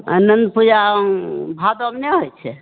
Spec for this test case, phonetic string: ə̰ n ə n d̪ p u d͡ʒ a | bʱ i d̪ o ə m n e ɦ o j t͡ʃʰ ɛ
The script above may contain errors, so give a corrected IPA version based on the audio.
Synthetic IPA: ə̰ n ə n d̪ p u d͡ʒ a | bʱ a d̪ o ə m n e ɦ o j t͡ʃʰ ɛ